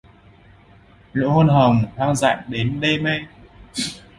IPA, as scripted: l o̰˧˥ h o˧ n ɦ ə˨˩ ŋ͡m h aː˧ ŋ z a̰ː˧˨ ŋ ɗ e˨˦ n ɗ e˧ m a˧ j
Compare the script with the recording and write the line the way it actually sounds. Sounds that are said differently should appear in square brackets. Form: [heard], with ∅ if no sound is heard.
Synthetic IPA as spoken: l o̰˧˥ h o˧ n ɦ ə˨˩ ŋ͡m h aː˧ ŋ z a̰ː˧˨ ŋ ɗ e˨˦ n ɗ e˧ m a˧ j